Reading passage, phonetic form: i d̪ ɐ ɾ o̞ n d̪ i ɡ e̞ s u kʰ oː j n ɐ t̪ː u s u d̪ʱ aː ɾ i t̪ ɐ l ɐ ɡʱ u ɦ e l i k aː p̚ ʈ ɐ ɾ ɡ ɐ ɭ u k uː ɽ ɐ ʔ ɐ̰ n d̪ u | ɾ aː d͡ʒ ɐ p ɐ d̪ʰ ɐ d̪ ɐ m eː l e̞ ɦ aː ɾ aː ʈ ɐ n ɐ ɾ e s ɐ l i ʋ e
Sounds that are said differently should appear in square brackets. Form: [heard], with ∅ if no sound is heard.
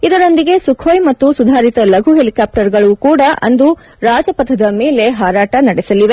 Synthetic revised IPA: i d̪ ɐ ɾ o̞ n d̪ i ɡ e̞ s u kʰ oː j [m] ɐ t̪ː u s u d̪ʱ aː ɾ i t̪ ɐ l ɐ ɡʱ u ɦ e l i k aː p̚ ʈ ɐ ɾ ɡ ɐ ɭ u k uː ɽ ɐ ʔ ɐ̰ n d̪ u | ɾ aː d͡ʒ ɐ p ɐ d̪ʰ ɐ d̪ ɐ m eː l e̞ ɦ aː ɾ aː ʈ ɐ n ɐ [ɽ] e s ɐ l i ʋ e